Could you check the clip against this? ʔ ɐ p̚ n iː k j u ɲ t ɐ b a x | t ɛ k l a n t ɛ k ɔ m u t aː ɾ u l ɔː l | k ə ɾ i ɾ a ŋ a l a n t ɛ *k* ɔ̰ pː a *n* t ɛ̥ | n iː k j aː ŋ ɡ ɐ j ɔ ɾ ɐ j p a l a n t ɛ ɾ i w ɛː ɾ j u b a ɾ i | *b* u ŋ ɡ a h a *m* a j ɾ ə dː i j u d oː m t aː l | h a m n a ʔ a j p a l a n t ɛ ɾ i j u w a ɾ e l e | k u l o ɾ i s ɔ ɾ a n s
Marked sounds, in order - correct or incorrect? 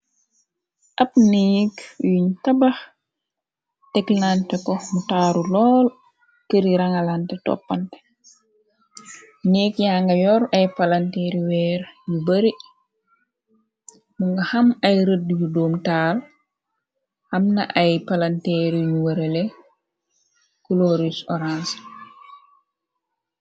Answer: incorrect, correct, incorrect, correct

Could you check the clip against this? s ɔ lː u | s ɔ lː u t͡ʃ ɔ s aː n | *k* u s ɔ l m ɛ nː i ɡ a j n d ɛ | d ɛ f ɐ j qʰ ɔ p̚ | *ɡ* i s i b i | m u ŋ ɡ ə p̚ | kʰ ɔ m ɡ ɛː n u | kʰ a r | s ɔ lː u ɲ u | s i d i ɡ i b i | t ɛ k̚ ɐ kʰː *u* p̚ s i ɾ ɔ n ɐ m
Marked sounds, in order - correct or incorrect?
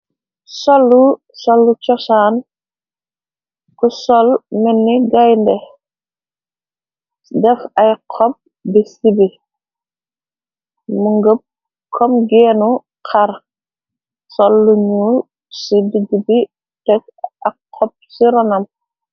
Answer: correct, incorrect, incorrect

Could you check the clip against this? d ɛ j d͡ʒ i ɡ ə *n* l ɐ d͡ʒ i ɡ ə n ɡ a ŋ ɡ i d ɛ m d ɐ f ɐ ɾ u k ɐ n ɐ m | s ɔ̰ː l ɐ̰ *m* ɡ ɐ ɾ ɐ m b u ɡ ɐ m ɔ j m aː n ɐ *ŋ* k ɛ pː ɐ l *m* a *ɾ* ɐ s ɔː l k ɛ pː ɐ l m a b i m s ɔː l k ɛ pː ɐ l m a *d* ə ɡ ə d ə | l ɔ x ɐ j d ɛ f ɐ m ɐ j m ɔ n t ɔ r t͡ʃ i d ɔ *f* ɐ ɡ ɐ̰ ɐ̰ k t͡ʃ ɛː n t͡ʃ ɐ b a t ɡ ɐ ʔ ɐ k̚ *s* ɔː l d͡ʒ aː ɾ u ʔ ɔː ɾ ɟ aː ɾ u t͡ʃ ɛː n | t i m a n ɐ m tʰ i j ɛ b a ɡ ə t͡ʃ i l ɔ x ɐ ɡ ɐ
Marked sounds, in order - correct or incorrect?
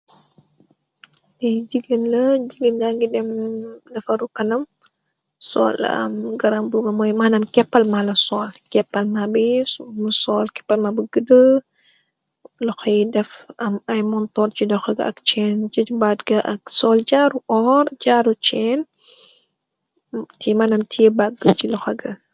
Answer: correct, correct, incorrect, correct, incorrect, incorrect, incorrect, correct

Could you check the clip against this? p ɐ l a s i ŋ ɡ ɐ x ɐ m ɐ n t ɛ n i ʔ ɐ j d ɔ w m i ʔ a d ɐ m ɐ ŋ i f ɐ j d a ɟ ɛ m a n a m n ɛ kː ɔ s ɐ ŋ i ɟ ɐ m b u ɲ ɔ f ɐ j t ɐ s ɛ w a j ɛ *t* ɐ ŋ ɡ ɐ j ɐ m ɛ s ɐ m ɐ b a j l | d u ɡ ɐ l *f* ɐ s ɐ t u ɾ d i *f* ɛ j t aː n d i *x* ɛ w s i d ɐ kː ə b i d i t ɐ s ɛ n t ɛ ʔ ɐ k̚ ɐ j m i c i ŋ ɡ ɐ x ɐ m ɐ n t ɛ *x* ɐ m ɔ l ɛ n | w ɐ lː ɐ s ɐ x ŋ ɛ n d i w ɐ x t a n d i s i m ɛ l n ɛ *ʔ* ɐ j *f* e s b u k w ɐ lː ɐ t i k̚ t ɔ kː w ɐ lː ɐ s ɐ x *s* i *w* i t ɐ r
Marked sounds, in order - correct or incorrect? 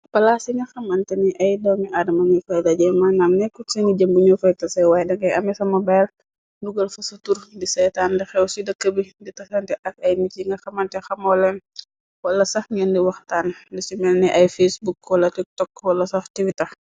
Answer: incorrect, correct, incorrect, correct, correct, correct, correct, incorrect, correct

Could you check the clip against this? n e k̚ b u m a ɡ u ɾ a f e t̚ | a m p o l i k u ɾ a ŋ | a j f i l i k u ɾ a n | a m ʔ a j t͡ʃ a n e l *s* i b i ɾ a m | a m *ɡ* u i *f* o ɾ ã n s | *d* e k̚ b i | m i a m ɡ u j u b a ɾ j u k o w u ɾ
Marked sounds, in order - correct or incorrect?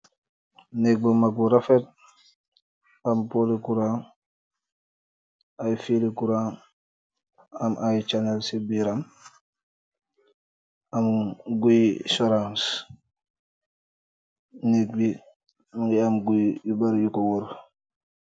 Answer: correct, correct, incorrect, incorrect

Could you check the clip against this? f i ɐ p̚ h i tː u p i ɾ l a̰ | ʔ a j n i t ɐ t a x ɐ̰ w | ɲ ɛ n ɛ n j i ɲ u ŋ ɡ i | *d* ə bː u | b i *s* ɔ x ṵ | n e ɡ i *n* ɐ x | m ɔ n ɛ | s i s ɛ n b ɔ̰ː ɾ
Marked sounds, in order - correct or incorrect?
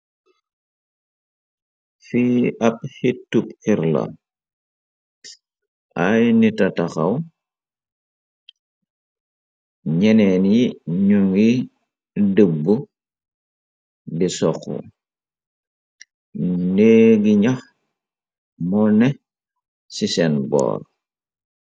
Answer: correct, correct, incorrect

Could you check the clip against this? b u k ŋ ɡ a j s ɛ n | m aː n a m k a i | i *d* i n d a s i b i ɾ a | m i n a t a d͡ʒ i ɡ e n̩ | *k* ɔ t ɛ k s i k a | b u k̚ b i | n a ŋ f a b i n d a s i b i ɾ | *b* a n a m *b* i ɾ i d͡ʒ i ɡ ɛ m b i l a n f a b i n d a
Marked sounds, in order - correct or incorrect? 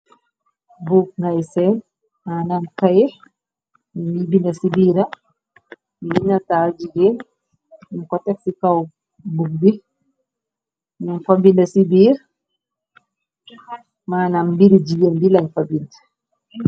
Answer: incorrect, correct, incorrect, correct

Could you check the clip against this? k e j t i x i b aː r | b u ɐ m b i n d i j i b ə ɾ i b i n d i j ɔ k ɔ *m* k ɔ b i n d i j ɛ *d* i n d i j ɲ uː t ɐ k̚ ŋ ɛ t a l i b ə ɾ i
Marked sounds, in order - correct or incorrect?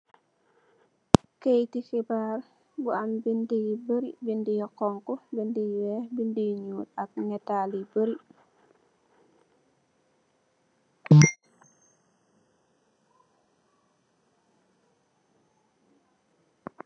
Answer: incorrect, incorrect

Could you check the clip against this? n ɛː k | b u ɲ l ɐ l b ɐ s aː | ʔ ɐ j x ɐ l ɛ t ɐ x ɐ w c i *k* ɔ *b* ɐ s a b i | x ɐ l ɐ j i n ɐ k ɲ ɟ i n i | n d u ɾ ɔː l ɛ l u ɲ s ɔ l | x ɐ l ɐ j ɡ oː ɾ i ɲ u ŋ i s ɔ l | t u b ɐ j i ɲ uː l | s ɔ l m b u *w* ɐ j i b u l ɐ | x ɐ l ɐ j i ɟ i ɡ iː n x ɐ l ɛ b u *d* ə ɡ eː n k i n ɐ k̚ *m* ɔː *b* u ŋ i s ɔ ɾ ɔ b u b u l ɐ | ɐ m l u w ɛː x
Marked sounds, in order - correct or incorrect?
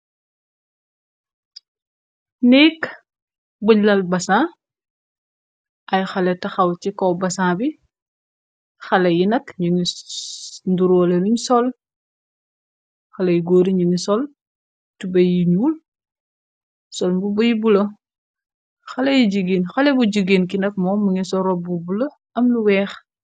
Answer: correct, correct, incorrect, incorrect, correct, incorrect

